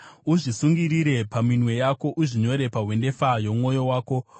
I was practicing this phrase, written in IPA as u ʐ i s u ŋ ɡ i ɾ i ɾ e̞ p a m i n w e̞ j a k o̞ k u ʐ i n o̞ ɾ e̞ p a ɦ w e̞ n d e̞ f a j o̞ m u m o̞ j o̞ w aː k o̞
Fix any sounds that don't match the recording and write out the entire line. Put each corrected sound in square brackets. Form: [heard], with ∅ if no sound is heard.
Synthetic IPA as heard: u ʐ i s u ŋ ɡ i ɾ i ɾ e̞ p a m i n w e̞ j a k o̞ [ʔ] u ʐ i [ɲ] o̞ ɾ e̞ p a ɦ w e̞ n d e̞ f a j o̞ m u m o̞ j o̞ w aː k o̞